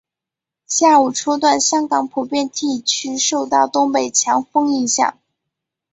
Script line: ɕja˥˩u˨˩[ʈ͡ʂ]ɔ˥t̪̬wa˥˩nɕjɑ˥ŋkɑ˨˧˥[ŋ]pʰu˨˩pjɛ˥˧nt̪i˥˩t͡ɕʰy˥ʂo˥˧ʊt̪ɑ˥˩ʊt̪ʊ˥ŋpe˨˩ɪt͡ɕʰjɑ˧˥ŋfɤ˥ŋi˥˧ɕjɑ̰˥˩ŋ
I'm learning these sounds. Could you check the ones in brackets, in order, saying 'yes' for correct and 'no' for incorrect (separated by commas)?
no, yes